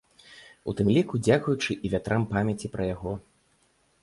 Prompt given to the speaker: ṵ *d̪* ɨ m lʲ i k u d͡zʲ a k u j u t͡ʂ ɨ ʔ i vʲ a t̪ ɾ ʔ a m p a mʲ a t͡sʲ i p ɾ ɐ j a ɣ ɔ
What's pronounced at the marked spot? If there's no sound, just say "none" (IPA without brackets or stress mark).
t̪